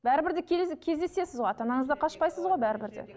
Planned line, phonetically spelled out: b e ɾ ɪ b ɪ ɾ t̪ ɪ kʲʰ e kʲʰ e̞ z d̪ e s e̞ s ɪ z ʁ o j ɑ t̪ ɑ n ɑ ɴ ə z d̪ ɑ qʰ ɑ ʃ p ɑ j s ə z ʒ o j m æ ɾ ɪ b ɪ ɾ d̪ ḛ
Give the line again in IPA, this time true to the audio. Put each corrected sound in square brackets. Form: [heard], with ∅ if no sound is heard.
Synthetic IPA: b [æ] ɾ ɪ b ɪ ɾ [d̪] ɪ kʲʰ e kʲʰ e̞ z d̪ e s e̞ s ɪ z ʁ o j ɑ t̪ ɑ n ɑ ɴ ə z d̪ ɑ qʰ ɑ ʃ p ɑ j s ə z [ʁ] o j [b] æ ɾ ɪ b ɪ ɾ d̪ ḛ

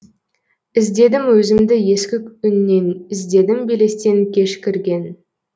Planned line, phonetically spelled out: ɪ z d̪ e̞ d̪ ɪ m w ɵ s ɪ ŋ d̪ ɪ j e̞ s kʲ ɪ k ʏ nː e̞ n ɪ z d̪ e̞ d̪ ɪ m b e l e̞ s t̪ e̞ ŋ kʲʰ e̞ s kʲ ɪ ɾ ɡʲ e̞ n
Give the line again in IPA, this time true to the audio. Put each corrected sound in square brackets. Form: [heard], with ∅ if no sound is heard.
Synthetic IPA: ɪ z d̪ e̞ d̪ ɪ m w ɵ [z] ɪ [m] d̪ ɪ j e̞ s kʲ ɪ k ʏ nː e̞ n ɪ z d̪ e̞ d̪ ɪ m b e l e̞ s t̪ e̞ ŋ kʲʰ e̞ [ʃ] kʲ ɪ ɾ ɡʲ e̞ n

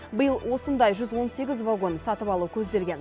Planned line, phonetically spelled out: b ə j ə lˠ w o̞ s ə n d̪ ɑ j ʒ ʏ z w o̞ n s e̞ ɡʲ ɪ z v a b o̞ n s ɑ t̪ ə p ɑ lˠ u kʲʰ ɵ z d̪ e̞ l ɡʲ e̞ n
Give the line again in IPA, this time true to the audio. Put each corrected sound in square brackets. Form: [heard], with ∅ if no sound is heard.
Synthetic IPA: b ə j ə lˠ w o̞ s ə n d̪ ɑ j ʒ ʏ z w o̞ n s e̞ ɡʲ ɪ z v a [ɡ] o̞ n s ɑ t̪ ə p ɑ lˠ u kʲʰ ɵ z d̪ e̞ l ɡʲ e̞ n

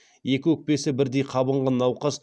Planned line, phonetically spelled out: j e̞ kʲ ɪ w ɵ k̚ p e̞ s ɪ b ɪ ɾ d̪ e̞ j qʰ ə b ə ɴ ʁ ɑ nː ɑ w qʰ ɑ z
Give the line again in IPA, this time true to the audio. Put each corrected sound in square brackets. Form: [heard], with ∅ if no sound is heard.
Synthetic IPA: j e̞ kʲ ɪ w ɵ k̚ p e̞ s ɪ b ɪ ɾ d̪ e̞ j qʰ [ɑ] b ə ɴ ʁ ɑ nː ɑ w [q] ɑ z

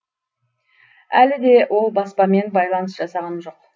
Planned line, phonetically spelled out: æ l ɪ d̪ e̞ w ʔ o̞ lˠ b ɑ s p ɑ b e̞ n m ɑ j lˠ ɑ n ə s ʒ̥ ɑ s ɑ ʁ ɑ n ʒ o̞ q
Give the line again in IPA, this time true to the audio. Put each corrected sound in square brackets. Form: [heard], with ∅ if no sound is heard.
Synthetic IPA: æ l ɪ d̪ e̞ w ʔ o̞ lˠ b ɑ s p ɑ [m] e̞ n [b] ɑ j lˠ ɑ n ə s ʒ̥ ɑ s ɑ ʁ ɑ n ʒ o̞ q

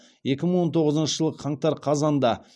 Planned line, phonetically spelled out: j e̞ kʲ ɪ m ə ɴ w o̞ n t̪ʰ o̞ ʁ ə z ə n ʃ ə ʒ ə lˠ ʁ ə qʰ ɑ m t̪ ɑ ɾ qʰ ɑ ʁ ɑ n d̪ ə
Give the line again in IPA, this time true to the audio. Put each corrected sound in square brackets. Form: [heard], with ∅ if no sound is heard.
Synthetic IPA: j e̞ kʲ ɪ m ə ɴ w o̞ n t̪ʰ o̞ ʁ ə z ə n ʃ ə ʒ ə lˠ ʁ ə qʰ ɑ [ɴ] t̪ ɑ ɾ qʰ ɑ [z] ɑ n d̪ [ɑ]

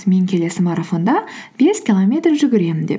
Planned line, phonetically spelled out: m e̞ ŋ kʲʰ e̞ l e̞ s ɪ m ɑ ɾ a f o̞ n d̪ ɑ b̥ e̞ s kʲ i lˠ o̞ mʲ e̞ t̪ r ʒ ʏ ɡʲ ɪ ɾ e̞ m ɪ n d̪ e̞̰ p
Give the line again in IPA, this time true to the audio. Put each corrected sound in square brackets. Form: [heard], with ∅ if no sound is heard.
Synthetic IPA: m e̞ ŋ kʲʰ e̞ l e̞ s ɪ m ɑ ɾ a f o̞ n d̪ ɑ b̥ e̞ s kʲ i lˠ o̞ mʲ e̞ t̪ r ʒ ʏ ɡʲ ɪ ɾ e̞ m ɪ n d̪ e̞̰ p

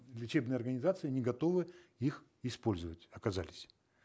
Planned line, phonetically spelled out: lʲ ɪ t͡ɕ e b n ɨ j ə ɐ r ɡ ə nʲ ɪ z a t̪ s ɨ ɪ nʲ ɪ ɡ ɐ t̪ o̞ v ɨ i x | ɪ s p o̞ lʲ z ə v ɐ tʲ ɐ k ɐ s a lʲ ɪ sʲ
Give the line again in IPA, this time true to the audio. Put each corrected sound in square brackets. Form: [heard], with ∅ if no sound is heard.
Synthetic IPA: lʲ ɪ t͡ɕ e b n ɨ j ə ɐ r ɡ ə nʲ ɪ z a t̪ s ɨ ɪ nʲ ɪ ɡ ɐ t̪ o̞ v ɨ i x | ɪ s p o̞ lʲ z ə v [ə] tʲ ɐ k ɐ [z] a lʲ ɪ sʲ

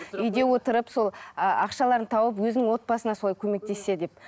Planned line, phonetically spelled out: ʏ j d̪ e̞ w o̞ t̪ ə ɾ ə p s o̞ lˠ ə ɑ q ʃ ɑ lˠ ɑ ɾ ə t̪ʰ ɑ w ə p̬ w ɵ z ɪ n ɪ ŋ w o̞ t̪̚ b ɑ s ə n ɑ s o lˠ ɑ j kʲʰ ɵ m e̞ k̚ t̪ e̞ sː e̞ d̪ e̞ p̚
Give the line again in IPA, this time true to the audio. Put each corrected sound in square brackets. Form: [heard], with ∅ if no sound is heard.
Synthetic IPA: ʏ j d̪ e̞ w o̞ t̪ ə ɾ ə p s o̞ lˠ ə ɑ q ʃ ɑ lˠ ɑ ɾ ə t̪ʰ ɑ w ə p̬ w ɵ z ɪ n ɪ ŋ w o̞ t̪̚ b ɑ s ə n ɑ s o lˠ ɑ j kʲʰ ɵ m e̞ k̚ t̪ e̞ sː e̞ d̪ e̞ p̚

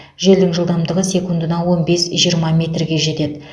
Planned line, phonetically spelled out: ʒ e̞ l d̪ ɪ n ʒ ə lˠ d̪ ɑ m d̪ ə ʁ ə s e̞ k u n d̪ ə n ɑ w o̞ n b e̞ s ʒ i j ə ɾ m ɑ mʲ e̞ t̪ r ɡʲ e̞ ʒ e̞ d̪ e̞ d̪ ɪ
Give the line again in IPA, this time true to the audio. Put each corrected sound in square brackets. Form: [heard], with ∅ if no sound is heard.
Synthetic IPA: ʒ e̞ l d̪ ɪ [ŋ] ʒ ə lˠ d̪ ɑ m d̪ ə ʁ ə s e̞ k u n d̪ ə n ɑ w o̞ n b e̞ s ʒ i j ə ɾ m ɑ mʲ e̞ t̪ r ɡʲ e̞ ʒ e̞ [t̪] e̞ d̪ ɪ

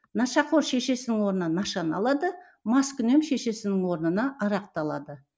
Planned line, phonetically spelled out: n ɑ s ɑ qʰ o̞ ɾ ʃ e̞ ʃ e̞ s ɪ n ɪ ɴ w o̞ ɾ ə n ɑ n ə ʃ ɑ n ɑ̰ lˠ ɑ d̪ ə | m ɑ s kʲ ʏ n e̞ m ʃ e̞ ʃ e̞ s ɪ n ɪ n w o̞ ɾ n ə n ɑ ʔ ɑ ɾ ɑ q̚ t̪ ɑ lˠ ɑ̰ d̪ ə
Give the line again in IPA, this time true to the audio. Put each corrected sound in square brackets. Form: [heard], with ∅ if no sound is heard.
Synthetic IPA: n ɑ [ʃ] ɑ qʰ o̞ ɾ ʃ e̞ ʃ e̞ s ɪ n ɪ [ŋ] w o̞ ɾ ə n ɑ n [ɑ] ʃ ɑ n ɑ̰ lˠ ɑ d̪ ə | m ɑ s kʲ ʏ n e̞ m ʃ e̞ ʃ e̞ s ɪ n ɪ [ŋ] w o̞ ɾ n ə n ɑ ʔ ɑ ɾ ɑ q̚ t̪ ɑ lˠ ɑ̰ d̪ ə

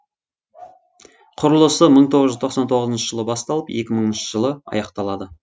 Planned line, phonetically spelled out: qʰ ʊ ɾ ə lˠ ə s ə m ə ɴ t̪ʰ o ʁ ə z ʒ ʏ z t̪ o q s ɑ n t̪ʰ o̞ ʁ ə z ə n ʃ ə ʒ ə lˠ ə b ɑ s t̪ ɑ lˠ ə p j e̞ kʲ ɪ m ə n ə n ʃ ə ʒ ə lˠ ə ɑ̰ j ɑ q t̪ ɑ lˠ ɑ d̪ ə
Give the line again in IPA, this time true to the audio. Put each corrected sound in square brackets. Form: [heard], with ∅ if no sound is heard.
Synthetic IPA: qʰ ʊ ɾ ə lˠ ə s ə m ə ɴ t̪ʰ o ʁ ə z ʒ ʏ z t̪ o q s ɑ n t̪ʰ o̞ ʁ ə z ə n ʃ ə ʒ ə lˠ ə b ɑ s t̪ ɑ lˠ ə p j e̞ kʲ ɪ m ə [ɴ] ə n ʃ ə ʒ ə lˠ ə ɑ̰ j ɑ q t̪ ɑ lˠ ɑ d̪ ə

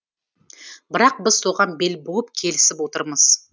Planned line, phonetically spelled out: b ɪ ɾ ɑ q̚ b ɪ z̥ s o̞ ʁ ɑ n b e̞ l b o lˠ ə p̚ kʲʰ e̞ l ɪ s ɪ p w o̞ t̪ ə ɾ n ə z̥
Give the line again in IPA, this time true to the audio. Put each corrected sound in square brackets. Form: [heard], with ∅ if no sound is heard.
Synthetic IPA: b ɪ ɾ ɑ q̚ b ɪ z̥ s o̞ ʁ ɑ n b e̞ l b o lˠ ə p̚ kʲʰ e̞ l ɪ s ɪ p w o̞ t̪ ə ɾ [m] ə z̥

